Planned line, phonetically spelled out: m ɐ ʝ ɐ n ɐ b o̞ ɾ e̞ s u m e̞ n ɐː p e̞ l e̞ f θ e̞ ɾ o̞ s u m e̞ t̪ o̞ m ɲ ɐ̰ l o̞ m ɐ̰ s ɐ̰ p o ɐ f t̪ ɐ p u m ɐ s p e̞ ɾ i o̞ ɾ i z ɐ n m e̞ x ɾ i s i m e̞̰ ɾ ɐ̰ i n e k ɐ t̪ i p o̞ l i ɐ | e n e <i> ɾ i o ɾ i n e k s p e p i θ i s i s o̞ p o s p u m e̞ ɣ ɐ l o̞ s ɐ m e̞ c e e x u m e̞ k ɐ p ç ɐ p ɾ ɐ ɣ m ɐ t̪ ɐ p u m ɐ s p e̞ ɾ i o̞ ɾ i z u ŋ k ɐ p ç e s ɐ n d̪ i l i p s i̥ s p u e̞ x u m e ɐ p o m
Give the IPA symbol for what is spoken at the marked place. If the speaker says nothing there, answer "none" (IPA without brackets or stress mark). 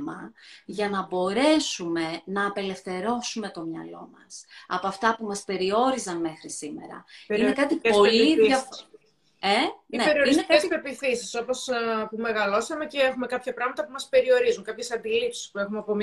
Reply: e